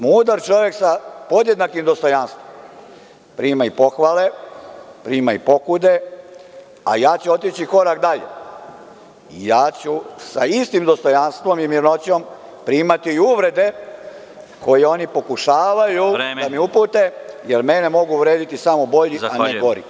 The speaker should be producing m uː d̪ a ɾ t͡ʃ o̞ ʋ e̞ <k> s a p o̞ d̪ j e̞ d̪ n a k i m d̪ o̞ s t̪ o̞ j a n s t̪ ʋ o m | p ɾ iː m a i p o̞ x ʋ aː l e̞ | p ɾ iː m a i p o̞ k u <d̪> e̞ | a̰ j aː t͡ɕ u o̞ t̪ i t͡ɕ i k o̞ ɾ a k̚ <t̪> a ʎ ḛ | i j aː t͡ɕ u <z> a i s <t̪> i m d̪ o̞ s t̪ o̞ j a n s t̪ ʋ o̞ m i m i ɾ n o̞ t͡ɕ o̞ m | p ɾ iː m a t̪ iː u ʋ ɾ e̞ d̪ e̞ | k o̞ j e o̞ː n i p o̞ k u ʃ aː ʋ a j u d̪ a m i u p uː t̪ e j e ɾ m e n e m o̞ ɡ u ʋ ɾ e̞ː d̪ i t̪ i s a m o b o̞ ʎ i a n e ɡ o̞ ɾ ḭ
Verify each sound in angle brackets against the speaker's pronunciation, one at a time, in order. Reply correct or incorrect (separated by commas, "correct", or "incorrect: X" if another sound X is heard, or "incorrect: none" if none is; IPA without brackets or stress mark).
correct, correct, incorrect: d̪, incorrect: s, correct